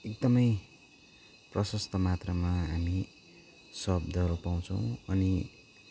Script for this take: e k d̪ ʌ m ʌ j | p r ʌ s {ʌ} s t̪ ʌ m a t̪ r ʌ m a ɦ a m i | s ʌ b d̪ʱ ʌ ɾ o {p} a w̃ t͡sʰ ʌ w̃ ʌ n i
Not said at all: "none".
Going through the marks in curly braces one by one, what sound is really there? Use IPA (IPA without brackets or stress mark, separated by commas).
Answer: ʌ, p